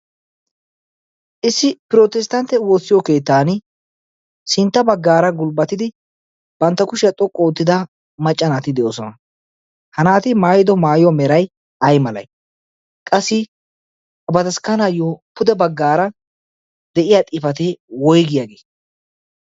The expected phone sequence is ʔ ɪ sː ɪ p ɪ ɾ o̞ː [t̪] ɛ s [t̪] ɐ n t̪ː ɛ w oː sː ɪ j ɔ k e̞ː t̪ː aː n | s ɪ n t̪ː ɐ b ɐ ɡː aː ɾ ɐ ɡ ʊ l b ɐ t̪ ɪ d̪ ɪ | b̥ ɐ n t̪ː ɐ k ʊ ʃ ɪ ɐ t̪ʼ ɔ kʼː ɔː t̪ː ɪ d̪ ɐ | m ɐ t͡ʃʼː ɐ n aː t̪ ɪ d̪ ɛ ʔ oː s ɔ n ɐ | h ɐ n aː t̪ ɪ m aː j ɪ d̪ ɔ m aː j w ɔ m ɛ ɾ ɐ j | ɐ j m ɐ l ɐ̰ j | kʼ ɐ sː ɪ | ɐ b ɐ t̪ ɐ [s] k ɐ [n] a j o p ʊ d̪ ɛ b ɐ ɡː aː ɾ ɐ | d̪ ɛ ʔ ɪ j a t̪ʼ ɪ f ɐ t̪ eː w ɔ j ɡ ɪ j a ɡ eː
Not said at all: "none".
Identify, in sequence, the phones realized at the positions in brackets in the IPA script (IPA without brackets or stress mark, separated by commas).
t̪, t̪, s, n